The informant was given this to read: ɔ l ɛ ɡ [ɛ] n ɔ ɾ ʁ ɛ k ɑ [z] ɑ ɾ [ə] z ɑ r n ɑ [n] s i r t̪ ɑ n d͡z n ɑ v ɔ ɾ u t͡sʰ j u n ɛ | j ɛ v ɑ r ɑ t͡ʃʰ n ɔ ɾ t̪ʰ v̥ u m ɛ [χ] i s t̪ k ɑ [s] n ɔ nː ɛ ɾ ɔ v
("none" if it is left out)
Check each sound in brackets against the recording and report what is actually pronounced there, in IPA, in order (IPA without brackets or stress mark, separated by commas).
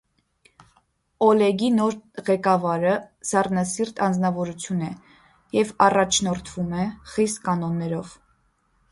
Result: i, v, ə, none, χ, none